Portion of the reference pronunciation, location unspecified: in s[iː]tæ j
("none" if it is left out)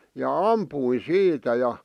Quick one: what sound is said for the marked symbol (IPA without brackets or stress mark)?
iː